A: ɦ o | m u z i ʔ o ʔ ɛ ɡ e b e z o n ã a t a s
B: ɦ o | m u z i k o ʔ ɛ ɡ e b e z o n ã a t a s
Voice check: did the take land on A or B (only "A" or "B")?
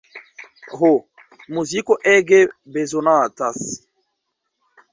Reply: B